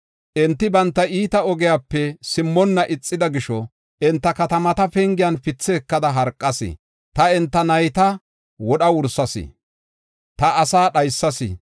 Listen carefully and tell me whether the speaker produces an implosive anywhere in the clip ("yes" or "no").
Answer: yes